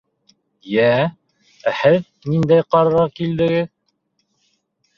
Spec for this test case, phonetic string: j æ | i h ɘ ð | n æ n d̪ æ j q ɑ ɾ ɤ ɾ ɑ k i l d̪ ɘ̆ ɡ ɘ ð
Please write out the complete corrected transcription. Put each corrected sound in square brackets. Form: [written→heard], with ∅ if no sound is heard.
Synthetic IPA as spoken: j æ | [i→æ] h ɘ ð | n [æ→i] n d̪ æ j q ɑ ɾ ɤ ɾ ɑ k i l d̪ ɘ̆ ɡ ɘ ð